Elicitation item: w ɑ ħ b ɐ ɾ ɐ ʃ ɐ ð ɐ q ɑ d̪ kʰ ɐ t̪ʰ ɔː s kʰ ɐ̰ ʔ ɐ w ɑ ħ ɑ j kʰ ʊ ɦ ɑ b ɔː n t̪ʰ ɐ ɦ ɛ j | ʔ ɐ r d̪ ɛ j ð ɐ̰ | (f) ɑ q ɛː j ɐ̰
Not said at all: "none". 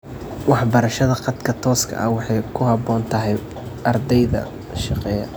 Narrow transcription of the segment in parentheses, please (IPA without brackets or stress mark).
ʃ